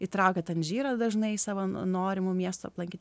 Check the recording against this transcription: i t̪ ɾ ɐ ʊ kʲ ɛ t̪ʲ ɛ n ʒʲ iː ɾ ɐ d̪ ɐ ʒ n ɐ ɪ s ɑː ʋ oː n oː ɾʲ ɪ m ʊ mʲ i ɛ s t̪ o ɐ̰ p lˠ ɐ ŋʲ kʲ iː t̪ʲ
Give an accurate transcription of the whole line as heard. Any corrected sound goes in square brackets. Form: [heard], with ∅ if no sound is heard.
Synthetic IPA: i t̪ ɾ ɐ ʊ kʲ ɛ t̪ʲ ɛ n ʒʲ iː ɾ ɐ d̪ ɐ ʒ n ɐ ɪ s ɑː ʋ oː n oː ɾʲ ɪ m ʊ mʲ i ɛ s t̪ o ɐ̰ p lˠ ɐ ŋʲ kʲ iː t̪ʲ